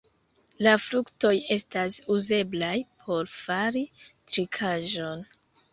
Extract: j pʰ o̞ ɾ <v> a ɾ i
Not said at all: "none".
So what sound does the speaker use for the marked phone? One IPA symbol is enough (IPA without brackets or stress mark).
f